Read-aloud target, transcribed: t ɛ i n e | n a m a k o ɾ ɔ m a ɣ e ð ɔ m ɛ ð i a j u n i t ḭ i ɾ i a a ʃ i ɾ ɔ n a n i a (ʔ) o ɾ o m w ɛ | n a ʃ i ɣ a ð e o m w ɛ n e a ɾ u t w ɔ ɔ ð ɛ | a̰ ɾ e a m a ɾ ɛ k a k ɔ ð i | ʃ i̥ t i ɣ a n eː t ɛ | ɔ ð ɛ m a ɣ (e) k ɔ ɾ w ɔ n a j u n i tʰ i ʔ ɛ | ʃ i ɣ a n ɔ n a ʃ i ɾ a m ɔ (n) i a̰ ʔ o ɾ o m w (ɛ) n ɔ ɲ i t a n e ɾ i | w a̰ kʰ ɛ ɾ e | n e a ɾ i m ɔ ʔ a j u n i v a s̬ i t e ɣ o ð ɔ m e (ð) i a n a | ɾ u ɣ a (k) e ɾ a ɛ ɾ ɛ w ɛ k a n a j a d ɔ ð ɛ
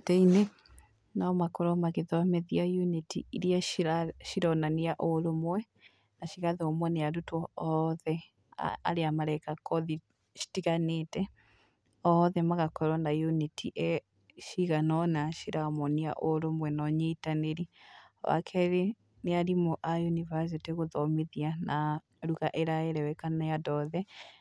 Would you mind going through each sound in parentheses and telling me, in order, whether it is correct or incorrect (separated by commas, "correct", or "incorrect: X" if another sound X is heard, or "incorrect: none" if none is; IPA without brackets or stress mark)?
correct, incorrect: a, correct, correct, correct, incorrect: ʔ